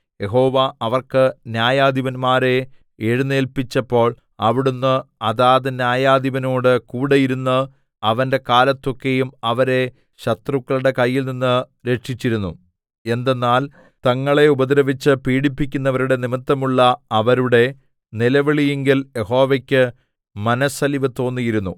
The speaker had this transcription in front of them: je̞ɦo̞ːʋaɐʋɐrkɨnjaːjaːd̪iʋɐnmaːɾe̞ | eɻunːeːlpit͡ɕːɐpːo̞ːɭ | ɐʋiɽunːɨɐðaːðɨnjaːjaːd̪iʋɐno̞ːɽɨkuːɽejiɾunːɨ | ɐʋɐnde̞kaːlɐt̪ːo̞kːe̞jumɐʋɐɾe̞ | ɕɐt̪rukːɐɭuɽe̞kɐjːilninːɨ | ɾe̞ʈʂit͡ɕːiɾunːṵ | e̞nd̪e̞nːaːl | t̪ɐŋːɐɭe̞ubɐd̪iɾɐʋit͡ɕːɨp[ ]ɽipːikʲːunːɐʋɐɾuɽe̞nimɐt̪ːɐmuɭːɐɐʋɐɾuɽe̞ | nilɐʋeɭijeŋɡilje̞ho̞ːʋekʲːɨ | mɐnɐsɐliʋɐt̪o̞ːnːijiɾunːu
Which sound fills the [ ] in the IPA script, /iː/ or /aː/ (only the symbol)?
iː